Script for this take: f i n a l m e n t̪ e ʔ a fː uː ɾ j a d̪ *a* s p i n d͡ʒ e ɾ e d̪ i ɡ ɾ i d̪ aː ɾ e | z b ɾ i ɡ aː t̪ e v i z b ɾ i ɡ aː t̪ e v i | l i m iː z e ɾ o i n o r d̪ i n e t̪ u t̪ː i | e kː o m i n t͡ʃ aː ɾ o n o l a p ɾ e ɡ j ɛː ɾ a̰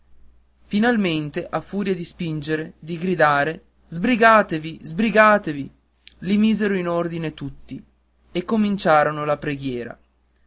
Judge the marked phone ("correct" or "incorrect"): incorrect